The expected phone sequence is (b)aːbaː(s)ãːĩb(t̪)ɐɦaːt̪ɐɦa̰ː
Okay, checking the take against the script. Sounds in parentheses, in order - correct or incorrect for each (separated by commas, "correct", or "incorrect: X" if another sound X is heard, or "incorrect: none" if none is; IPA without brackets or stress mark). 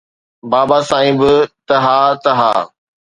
correct, correct, correct